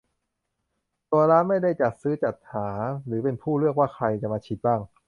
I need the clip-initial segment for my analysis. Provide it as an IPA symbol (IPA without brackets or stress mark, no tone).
t̪